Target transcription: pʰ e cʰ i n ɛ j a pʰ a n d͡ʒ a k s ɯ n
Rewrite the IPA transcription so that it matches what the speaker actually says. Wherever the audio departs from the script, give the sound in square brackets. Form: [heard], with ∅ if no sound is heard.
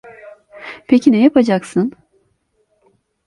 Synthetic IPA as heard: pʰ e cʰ i n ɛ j a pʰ a [∅] d͡ʒ a k s ɯ n